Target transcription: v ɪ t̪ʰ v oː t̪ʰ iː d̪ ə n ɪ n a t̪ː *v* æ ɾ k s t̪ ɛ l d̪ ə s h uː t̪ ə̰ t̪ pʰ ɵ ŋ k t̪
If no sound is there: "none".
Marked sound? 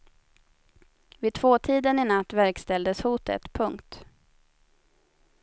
v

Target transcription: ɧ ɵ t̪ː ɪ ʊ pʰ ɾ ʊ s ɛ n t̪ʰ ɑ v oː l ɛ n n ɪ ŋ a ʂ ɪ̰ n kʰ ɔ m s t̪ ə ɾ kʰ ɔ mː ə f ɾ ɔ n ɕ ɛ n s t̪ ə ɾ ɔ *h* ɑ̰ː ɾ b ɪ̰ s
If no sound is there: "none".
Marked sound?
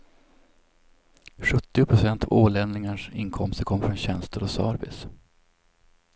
s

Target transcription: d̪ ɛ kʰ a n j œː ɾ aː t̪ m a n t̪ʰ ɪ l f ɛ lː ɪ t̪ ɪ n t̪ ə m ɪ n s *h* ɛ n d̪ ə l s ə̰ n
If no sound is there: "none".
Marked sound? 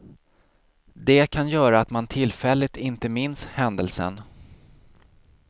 h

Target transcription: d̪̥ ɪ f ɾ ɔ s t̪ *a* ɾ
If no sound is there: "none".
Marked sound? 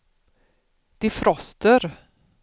ə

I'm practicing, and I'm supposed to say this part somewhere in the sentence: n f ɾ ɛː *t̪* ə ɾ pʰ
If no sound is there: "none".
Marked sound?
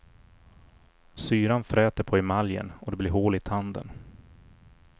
t̪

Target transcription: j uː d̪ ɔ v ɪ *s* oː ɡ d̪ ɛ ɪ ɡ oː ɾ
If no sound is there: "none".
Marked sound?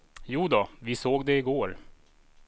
s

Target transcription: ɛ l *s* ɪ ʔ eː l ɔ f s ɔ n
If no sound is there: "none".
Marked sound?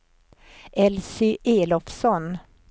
s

